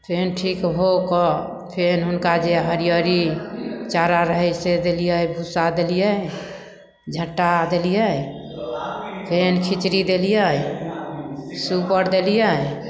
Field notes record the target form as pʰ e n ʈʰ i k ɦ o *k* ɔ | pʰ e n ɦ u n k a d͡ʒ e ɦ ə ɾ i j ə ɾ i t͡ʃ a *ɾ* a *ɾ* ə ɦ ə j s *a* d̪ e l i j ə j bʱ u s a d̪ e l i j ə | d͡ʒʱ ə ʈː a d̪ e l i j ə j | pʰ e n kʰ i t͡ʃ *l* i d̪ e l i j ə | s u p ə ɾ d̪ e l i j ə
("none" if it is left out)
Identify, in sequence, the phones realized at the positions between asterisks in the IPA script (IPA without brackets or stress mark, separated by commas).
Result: k, ɾ, ɾ, e, ɾ